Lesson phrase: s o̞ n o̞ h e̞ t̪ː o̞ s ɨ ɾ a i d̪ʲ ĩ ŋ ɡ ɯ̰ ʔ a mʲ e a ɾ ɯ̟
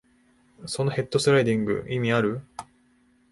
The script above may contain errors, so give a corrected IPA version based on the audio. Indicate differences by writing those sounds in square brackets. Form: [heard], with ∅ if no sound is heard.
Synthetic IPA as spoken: s o̞ n o̞ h e̞ t̪ː o̞ s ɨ ɾ a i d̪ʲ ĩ ŋ ɡ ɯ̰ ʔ [i] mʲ [i] a ɾ ɯ̟